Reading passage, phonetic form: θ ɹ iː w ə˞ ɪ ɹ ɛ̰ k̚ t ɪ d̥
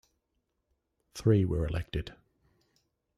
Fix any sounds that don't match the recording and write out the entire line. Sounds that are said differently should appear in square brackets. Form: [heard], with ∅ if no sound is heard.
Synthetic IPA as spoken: θ ɹ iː w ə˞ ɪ [l] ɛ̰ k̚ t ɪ d̥